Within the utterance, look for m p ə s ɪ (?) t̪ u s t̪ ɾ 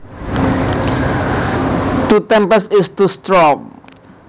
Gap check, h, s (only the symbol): s